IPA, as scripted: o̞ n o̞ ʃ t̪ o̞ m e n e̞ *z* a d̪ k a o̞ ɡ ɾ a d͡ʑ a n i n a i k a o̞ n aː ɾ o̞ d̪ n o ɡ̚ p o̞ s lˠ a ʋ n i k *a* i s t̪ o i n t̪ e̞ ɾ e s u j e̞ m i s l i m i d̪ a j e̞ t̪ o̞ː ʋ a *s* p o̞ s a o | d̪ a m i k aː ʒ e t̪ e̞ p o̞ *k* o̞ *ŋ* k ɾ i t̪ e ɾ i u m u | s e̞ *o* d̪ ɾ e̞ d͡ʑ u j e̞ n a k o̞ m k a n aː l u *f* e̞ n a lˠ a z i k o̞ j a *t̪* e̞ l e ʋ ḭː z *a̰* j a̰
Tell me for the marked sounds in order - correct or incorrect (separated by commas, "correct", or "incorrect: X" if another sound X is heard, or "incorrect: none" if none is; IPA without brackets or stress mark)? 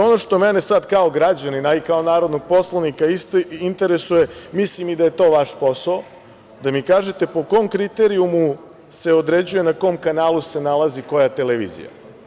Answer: incorrect: s, correct, incorrect: ʃ, correct, incorrect: m, correct, incorrect: s, correct, incorrect: ḭ